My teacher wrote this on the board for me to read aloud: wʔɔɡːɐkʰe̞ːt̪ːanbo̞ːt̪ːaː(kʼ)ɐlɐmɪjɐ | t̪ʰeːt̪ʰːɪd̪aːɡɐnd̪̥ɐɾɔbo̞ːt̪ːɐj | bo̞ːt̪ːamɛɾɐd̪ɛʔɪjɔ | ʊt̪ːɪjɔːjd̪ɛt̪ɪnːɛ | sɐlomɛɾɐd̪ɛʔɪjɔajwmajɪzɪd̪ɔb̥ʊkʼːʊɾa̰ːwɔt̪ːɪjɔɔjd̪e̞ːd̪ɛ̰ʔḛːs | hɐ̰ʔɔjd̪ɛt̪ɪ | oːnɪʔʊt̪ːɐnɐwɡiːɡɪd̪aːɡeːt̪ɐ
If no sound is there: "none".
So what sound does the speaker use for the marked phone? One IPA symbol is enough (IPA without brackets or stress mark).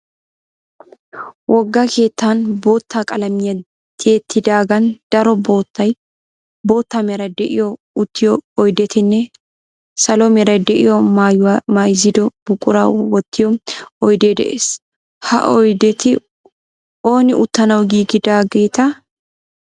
kʼ